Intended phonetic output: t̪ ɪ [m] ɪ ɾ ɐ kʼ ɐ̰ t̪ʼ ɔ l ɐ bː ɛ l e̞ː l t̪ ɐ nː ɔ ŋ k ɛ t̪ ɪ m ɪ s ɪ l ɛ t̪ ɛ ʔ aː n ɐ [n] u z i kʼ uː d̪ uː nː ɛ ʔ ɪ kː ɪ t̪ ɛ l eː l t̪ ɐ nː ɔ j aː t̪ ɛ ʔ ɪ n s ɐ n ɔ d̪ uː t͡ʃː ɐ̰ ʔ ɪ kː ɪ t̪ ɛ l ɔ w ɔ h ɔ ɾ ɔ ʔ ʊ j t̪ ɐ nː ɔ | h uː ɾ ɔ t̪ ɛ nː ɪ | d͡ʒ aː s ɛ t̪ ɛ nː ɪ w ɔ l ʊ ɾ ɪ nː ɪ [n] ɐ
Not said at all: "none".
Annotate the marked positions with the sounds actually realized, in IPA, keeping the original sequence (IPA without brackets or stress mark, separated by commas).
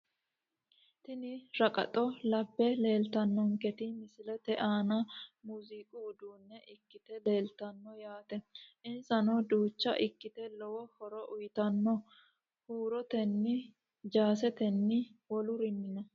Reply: n, m, n